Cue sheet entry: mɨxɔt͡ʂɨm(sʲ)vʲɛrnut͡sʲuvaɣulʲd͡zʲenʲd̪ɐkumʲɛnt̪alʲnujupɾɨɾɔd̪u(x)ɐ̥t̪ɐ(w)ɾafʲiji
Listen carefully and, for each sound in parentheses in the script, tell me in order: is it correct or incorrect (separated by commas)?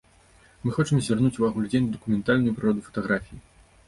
incorrect, incorrect, incorrect